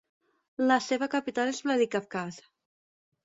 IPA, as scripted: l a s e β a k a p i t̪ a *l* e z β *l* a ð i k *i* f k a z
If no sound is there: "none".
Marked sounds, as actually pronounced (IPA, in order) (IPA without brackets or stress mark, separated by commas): l, l, a